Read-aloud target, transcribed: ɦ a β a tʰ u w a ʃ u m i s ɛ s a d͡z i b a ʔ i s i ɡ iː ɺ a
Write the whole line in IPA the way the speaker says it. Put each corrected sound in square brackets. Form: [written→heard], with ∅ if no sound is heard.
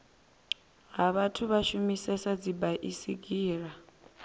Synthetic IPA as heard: ɦ a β a tʰ u [w→β] a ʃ u m i s ɛ s a d͡z i b a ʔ i s i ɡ iː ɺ a

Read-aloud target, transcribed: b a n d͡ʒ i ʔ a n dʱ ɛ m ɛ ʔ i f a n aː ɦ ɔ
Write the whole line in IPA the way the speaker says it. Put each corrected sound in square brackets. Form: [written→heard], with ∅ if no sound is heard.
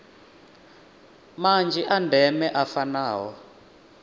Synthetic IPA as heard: [b→m] a n d͡ʒ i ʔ a n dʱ ɛ m ɛ ʔ [i→a] f a n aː ɦ ɔ

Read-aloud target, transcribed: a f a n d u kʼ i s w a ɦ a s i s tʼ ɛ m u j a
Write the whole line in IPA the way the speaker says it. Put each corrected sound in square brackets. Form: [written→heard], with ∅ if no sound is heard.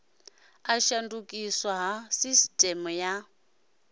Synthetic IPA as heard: a [f→ʃ] a n d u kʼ i s w a ɦ a s i s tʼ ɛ m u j a

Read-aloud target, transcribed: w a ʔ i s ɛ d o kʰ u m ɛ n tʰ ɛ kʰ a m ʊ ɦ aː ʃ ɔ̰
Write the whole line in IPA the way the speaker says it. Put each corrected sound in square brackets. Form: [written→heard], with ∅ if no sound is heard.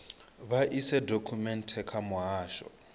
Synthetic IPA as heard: [w→β] a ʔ i s ɛ d o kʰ u m ɛ n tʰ ɛ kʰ a m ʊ ɦ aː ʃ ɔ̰

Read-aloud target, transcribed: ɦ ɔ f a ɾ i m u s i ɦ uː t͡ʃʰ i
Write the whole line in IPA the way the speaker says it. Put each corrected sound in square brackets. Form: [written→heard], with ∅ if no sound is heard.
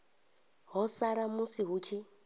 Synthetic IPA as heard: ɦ ɔ [f→s] a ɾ [i→a] m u s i ɦ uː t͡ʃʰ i

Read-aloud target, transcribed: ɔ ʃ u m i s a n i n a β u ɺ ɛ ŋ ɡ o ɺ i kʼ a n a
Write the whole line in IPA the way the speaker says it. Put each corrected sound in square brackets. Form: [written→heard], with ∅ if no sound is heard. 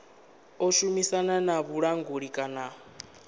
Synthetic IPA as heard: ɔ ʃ u m i s a n [i→a] n a β u ɺ [ɛ→a] ŋ ɡ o ɺ i kʼ a n a

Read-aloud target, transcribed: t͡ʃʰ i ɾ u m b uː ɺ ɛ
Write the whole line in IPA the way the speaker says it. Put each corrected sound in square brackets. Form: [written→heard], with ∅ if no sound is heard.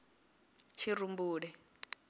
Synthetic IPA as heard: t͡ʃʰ i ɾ u m b uː ɺ ɛ

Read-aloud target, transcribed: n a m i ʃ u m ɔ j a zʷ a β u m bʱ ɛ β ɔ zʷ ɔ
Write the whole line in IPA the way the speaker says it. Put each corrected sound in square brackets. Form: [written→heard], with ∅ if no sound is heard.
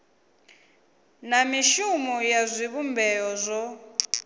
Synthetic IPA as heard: n a m i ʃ u m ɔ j a zʷ [a→i] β u m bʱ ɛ [β→∅] ɔ zʷ ɔ

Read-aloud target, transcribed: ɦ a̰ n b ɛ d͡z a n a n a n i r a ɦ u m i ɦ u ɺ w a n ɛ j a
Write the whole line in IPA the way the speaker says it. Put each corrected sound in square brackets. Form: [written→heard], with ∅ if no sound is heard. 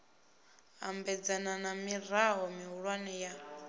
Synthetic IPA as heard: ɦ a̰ [n→m] b ɛ d͡z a n a n a [n→m] i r a ɦ [u→ɔ] m i ɦ u ɺ w a n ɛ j a

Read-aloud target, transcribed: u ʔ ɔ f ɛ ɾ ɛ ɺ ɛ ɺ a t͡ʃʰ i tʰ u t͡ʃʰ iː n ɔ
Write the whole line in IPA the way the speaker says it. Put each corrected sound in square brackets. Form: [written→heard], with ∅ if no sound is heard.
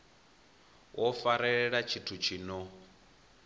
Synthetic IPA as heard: [u→w] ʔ ɔ f [ɛ→a] ɾ ɛ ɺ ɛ ɺ a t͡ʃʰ i tʰ u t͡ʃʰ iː n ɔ

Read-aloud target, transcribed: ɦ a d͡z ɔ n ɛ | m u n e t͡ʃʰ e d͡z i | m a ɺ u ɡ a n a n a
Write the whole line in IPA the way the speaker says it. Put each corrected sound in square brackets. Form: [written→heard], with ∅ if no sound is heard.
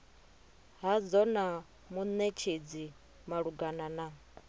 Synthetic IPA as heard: ɦ a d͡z ɔ n [ɛ→a] | m u n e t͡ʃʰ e d͡z i | m a ɺ u ɡ a n a n a

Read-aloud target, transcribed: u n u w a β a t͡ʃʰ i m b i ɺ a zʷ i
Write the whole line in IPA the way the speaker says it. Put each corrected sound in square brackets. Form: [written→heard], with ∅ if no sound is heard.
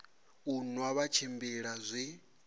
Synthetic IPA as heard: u n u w a β a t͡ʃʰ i m b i ɺ a zʷ i

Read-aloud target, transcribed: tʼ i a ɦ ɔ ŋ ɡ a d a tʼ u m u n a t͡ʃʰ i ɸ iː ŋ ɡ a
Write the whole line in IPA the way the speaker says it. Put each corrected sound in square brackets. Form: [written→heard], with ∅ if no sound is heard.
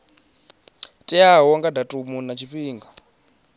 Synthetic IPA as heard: tʼ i a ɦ ɔ ŋ ɡ a d a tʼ u m u n a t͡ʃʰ i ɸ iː ŋ ɡ a

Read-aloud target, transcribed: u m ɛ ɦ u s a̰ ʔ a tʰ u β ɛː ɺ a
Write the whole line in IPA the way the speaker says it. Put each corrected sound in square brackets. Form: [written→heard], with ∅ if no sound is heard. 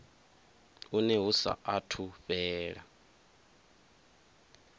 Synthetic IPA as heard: u [m→n] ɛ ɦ u s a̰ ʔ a tʰ u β ɛː ɺ a

